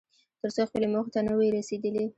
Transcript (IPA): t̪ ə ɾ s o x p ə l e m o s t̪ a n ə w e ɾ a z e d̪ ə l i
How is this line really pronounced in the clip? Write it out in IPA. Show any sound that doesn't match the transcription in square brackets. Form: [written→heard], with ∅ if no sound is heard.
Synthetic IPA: t̪ ə ɾ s o x p ə l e m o [s→x] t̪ a n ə w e ɾ a [z→s] e d̪ ə l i